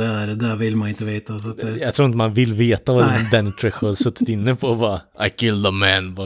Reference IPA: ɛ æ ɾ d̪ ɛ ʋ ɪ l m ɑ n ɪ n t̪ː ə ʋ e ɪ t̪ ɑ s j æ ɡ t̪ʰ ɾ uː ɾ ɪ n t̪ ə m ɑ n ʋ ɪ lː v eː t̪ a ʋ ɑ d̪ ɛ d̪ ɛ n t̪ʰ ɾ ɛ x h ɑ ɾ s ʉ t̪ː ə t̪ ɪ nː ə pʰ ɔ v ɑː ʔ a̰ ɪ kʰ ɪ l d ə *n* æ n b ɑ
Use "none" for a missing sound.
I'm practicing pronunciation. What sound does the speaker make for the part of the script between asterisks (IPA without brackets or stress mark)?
m